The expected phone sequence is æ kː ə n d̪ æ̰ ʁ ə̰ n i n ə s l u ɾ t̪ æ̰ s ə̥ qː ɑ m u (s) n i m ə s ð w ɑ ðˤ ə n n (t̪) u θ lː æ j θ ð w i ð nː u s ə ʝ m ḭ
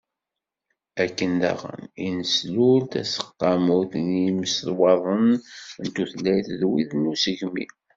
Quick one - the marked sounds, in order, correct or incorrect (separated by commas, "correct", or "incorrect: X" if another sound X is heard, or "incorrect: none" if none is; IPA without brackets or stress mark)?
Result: incorrect: θ, correct